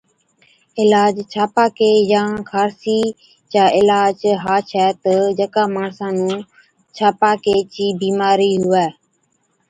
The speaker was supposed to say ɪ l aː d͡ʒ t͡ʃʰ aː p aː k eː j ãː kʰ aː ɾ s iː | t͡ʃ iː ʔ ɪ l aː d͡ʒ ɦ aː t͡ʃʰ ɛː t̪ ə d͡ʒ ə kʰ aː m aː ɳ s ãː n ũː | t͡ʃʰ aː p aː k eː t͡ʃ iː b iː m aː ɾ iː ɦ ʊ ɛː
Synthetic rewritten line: ɪ l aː d͡ʒ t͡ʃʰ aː p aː k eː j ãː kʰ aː ɾ s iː | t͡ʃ aː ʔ ɪ l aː d͡ʒ ɦ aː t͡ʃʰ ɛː t̪ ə d͡ʒ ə k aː m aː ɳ s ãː n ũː | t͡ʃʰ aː p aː k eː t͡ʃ iː b iː m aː ɾ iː ɦ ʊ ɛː

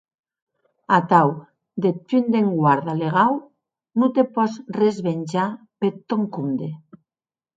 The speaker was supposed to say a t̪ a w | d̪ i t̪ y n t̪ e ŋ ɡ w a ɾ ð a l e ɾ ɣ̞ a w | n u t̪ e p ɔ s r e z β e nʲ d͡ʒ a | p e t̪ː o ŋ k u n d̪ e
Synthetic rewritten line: a t̪ a w | d̪ e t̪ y n d̪ e ŋ ɡ w a ɾ ð a l e ɣ̞ a w | n u t̪ e p ɔ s r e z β e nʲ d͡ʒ a | p e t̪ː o ŋ k u n d̪ e

